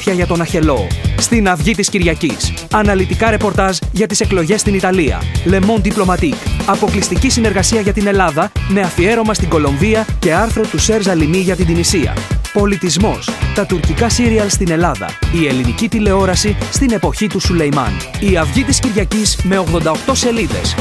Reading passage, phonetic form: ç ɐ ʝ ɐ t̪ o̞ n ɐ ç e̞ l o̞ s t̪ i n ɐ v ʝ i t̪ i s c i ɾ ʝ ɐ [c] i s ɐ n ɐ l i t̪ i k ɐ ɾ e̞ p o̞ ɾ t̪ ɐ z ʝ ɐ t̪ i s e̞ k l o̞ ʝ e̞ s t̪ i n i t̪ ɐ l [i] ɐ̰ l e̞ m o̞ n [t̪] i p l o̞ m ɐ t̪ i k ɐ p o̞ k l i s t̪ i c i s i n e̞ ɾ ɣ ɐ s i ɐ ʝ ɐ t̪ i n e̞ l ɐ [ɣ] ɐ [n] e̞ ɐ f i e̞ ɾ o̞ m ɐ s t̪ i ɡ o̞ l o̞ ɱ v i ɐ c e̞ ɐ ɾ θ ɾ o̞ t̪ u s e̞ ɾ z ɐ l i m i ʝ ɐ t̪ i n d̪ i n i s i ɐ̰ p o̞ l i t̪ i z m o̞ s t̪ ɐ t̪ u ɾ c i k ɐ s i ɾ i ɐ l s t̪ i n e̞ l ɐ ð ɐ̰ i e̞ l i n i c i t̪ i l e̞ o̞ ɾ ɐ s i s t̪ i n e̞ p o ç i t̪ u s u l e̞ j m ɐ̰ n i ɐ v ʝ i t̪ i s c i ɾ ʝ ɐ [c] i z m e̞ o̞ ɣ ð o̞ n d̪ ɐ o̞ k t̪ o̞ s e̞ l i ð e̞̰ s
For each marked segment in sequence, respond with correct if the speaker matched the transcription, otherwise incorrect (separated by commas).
correct, correct, incorrect, incorrect, incorrect, correct